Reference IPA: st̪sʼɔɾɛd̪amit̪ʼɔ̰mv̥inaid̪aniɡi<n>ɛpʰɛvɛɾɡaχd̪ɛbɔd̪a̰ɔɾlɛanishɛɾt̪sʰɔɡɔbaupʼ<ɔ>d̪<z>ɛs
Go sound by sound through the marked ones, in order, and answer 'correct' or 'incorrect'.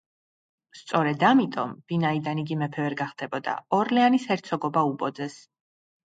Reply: incorrect, correct, correct

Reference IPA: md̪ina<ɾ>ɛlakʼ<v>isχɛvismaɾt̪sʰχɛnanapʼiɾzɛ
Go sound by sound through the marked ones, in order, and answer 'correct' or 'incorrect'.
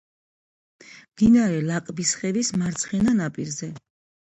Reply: correct, incorrect

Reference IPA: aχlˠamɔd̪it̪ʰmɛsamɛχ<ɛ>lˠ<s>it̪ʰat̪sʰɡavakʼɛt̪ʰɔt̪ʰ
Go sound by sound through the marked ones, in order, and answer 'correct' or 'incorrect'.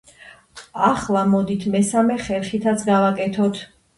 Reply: correct, incorrect

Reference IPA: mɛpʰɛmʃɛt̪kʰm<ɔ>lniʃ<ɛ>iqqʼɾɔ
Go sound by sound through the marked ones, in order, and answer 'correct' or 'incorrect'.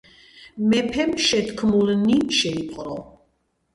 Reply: incorrect, correct

